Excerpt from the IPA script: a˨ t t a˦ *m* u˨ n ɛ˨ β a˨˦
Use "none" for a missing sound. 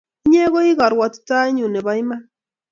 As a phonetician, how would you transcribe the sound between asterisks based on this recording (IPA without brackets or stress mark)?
ɲ